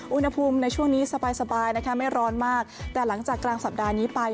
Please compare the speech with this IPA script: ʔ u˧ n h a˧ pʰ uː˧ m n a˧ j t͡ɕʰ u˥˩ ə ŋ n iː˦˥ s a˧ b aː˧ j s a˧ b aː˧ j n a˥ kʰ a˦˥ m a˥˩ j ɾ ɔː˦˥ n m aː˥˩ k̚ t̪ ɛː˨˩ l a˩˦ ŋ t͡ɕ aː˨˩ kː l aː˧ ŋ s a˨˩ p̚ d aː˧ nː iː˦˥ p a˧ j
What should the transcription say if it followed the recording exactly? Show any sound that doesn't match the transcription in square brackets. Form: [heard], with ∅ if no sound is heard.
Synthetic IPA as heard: ʔ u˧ n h a˧ pʰ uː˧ m n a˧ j t͡ɕʰ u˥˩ ə ŋ n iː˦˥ s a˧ b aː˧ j s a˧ b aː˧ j n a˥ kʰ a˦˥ m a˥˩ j ɾ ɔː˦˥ n m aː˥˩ k̚ t̪ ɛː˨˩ l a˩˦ ŋ t͡ɕ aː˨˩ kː l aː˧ ŋ s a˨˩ p̚ d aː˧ [n] iː˦˥ p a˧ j